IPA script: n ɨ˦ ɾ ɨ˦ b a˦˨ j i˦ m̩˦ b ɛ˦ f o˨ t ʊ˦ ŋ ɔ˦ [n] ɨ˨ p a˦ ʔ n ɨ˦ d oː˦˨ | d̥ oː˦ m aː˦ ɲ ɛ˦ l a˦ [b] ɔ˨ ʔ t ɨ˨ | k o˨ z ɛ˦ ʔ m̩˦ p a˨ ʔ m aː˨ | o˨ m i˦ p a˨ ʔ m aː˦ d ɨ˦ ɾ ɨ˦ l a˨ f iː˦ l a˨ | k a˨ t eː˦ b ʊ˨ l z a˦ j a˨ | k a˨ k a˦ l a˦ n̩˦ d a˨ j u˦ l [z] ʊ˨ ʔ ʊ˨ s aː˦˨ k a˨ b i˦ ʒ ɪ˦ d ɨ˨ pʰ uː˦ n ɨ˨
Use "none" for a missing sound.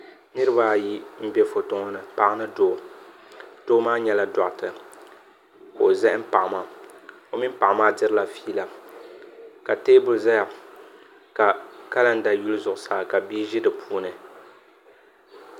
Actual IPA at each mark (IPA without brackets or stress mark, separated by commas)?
n, d, z